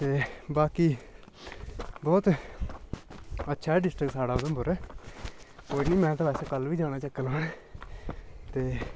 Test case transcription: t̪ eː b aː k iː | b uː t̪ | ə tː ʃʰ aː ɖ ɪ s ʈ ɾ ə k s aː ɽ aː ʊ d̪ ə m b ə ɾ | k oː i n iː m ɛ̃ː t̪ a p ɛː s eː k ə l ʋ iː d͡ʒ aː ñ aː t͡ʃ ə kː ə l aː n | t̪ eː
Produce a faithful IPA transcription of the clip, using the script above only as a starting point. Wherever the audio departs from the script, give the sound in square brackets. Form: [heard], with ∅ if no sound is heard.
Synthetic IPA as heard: t̪ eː b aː k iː | b [ɔː] t̪ | ə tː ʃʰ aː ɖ ɪ s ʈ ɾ ə k s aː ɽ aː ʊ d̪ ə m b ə ɾ | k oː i n iː m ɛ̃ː t̪ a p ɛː s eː k ə l ʋ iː d͡ʒ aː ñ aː t͡ʃ ə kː ə l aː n | t̪ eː

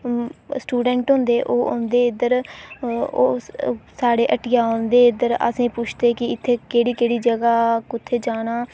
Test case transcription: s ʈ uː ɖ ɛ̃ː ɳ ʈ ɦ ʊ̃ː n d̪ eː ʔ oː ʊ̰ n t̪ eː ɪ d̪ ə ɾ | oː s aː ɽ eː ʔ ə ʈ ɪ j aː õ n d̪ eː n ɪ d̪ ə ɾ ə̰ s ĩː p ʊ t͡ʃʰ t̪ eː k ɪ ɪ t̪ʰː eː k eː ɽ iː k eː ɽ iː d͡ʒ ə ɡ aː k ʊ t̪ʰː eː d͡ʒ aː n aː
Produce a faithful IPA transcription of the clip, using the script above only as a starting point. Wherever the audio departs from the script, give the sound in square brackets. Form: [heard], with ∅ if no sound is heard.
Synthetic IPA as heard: s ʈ uː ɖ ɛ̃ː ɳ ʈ ɦ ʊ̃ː n d̪ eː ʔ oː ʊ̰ n [d̪] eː ɪ d̪ ə ɾ | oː s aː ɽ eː ʔ ə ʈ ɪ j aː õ n d̪ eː [∅] ɪ d̪ ə ɾ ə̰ s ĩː p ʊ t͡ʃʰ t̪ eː k ɪ ɪ t̪ʰː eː k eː ɽ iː k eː ɽ iː d͡ʒ ə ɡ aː k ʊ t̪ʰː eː d͡ʒ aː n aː

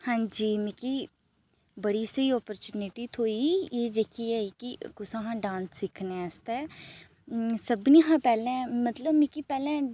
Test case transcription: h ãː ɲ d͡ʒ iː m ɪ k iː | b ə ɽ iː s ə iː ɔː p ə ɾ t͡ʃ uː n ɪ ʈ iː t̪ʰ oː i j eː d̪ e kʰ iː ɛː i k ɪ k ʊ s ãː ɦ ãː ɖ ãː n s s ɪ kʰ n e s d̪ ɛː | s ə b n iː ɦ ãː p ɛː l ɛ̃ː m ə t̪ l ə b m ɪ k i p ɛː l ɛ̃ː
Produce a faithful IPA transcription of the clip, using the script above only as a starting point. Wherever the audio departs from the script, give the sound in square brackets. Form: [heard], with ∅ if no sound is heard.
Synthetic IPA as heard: h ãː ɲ d͡ʒ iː m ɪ k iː | b ə ɽ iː s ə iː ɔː p ə ɾ t͡ʃ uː n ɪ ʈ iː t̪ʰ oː i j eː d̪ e kʰ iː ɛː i k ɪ k ʊ s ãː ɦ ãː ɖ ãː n s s ɪ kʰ n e s [t̪] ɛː | s ə b n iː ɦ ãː p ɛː l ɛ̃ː m ə t̪ l ə b m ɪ k i p ɛː l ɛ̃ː

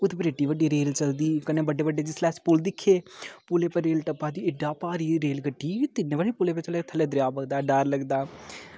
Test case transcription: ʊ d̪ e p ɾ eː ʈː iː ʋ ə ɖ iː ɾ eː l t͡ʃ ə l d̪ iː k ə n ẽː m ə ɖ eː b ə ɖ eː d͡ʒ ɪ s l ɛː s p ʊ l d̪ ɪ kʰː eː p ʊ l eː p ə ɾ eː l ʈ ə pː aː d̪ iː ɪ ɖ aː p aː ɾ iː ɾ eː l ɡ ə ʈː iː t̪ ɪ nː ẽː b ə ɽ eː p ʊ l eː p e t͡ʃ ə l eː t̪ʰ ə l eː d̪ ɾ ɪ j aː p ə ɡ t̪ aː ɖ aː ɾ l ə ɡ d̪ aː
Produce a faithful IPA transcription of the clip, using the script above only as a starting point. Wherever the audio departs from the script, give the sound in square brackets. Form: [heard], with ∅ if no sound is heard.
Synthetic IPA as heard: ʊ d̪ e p ɾ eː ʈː iː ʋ ə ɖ iː ɾ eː l t͡ʃ ə l d̪ iː k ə n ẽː [b] ə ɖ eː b ə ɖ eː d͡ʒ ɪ s l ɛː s p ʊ l d̪ ɪ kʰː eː p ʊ l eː p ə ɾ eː l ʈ ə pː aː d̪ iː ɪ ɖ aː p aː ɾ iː ɾ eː l ɡ ə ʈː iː t̪ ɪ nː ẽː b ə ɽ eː p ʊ l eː p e t͡ʃ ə l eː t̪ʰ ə l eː d̪ ɾ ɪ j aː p ə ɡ [d̪] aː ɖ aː ɾ l ə ɡ d̪ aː

